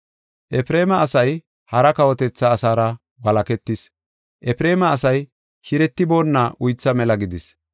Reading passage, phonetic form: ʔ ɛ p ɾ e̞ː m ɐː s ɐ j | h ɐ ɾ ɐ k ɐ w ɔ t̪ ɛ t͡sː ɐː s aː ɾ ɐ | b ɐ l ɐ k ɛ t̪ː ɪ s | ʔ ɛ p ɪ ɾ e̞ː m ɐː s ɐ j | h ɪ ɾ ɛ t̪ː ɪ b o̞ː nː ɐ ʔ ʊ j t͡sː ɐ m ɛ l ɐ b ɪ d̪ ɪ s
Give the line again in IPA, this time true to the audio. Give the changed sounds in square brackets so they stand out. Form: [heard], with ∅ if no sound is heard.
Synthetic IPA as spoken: ʔ ɛ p ɾ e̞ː m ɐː s ɐ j | h ɐ ɾ ɐ k ɐ w ɔ t̪ ɛ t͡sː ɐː s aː ɾ ɐ | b ɐ l ɐ k ɛ t̪ː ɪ s | ʔ ɛ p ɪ ɾ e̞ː m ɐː s ɐ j | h ɪ ɾ ɛ t̪ː ɪ b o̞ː nː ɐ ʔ ʊ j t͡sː ɐ m ɛ l ɐ [ɡ] ɪ d̪ ɪ s